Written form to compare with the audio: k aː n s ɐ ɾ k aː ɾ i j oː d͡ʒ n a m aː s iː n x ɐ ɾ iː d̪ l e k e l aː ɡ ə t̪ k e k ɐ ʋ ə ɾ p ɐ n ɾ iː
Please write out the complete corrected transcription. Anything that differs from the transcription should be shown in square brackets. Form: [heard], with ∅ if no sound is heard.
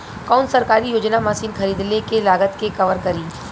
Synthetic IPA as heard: k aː n s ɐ ɾ k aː ɾ i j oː d͡ʒ n a m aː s iː n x ɐ ɾ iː d̪ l e k e l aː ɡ ə t̪ k e k ɐ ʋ ə ɾ [k] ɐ [∅] ɾ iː